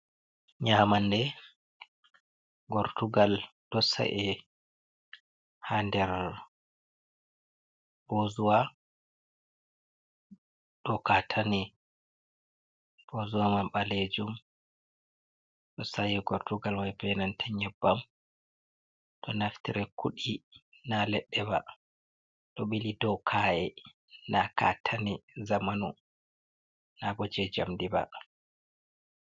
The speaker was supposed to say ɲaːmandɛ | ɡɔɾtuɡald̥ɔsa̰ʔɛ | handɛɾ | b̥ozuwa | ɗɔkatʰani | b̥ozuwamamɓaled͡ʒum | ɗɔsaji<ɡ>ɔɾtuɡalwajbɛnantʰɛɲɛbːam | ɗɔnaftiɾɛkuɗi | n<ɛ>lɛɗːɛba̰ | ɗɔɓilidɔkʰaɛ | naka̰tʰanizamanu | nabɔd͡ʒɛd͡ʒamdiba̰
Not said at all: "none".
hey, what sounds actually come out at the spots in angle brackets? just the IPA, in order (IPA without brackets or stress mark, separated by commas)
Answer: ɡ, a